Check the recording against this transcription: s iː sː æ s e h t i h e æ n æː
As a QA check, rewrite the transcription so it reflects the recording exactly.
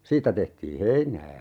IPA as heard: s iː tː æ t e h t iː h e i n æː